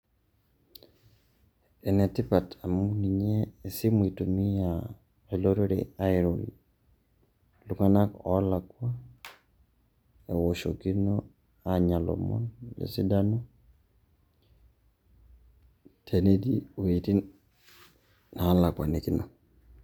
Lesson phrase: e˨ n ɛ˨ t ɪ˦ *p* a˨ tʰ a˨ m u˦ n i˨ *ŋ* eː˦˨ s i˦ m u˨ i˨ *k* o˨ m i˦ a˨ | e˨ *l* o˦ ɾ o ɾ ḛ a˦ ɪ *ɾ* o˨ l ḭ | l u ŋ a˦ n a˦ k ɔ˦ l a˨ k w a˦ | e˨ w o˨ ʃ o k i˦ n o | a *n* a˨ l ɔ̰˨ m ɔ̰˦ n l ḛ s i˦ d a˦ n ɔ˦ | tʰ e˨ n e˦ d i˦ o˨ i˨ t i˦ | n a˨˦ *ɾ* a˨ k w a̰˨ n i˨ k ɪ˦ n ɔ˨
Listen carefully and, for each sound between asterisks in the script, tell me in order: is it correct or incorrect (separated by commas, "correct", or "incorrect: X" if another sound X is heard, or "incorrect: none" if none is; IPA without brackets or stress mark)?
correct, incorrect: ɲ, incorrect: t, correct, correct, incorrect: ɲ, incorrect: l